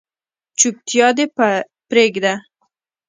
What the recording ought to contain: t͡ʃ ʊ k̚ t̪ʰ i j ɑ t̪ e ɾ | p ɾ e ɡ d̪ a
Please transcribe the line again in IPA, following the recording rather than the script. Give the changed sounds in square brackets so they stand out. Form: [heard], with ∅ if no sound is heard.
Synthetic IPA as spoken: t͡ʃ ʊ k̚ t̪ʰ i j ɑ [d̪] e [∅] | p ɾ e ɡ d̪ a